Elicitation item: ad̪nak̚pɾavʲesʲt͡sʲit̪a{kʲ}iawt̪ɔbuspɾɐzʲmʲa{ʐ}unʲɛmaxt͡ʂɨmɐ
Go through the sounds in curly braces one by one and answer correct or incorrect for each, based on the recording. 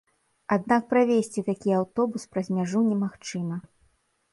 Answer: correct, correct

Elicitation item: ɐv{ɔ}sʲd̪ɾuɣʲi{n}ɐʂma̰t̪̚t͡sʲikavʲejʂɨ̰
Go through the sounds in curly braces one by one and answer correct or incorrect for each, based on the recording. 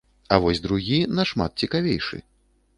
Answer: correct, correct

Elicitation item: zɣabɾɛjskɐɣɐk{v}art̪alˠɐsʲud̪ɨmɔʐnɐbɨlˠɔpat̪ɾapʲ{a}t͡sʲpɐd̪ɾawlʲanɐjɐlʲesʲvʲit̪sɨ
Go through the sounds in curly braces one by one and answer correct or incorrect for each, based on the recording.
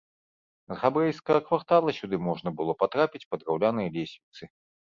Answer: correct, incorrect

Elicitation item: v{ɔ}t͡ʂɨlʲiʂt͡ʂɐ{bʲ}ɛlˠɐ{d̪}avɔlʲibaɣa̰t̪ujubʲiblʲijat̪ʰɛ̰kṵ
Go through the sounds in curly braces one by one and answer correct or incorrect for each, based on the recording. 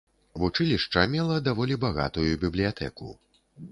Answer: incorrect, incorrect, correct

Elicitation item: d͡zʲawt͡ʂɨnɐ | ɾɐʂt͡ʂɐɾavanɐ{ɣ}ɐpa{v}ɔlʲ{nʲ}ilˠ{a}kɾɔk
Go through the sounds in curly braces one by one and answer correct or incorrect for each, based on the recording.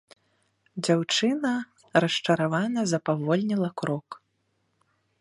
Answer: incorrect, correct, correct, incorrect

